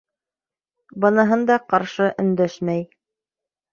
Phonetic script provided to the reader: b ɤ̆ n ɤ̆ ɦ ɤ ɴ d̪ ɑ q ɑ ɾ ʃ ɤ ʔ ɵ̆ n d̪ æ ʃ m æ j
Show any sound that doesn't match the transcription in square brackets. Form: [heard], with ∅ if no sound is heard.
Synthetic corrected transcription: b ɤ̆ n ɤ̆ ɦ ɤ [n] d̪ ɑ q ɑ ɾ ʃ ɤ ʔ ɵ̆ n d̪ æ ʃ m æ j